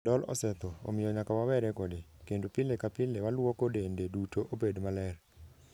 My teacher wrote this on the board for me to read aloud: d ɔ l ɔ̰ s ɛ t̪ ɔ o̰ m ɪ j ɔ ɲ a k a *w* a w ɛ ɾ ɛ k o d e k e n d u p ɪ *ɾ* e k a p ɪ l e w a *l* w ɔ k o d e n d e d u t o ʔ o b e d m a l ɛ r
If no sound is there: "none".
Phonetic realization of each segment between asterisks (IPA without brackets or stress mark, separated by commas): w, l, l